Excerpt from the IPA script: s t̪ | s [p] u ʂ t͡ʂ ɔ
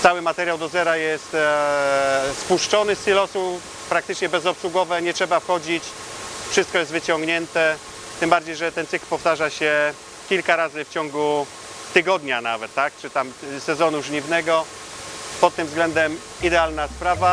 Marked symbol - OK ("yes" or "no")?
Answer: yes